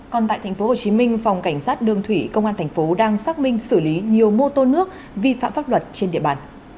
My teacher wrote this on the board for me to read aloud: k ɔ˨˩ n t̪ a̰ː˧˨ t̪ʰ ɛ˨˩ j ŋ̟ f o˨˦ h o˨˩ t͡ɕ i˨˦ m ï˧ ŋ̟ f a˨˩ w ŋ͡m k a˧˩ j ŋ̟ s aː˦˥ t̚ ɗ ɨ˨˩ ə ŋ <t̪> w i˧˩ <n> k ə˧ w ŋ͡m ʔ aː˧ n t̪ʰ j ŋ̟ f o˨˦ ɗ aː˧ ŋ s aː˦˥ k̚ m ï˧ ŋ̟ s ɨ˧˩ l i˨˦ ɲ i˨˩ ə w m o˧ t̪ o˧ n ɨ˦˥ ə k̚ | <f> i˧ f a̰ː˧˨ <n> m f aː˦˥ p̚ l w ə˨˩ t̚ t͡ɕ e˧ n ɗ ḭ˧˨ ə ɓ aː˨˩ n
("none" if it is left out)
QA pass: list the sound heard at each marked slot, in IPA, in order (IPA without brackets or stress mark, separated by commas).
t̪ʰ, none, v, none